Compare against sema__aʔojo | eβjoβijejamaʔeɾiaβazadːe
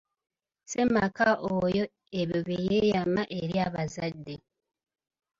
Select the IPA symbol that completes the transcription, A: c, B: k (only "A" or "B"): B